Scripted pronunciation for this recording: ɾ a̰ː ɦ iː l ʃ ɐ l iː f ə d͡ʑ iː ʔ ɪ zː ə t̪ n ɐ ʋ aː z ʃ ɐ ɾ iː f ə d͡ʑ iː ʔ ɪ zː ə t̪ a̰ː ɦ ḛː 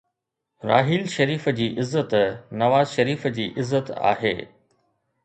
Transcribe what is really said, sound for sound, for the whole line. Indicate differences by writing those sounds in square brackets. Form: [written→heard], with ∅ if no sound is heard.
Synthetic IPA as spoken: ɾ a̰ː ɦ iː l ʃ ɐ [l→ɾ] iː f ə d͡ʑ iː ʔ ɪ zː ə t̪ n ɐ ʋ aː z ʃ ɐ ɾ iː f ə d͡ʑ iː ʔ ɪ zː ə t̪ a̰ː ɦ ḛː